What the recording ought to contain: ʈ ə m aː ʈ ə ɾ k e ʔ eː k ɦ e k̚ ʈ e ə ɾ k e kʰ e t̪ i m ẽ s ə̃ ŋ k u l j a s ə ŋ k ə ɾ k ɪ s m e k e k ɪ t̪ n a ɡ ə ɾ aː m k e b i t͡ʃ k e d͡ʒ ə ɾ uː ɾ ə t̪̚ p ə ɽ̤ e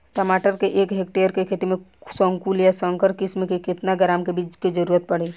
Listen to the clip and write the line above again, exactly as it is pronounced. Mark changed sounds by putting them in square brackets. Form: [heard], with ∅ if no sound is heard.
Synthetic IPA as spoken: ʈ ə m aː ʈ ə ɾ k e ʔ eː k ɦ e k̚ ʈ e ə ɾ k e kʰ e t̪ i m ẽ s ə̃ ŋ k u l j a s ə ŋ k ə ɾ k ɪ s m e k e k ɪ t̪ n a ɡ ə ɾ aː m k e b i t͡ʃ k e d͡ʒ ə ɾ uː ɾ ə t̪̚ p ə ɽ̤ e